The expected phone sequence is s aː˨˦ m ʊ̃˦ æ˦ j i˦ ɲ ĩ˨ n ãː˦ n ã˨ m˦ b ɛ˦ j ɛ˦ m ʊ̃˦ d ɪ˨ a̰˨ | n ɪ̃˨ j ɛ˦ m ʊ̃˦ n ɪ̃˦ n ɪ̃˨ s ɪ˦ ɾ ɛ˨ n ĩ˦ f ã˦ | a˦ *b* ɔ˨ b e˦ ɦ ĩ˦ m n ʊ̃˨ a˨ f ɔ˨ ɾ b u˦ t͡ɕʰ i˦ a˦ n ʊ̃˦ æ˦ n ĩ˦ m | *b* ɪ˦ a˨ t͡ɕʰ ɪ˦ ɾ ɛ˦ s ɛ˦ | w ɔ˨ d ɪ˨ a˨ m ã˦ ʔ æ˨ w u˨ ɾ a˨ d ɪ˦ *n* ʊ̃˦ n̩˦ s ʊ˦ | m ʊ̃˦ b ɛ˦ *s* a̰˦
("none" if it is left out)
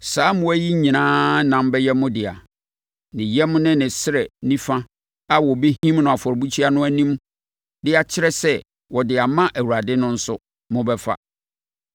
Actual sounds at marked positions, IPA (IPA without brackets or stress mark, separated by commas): w, d, n, f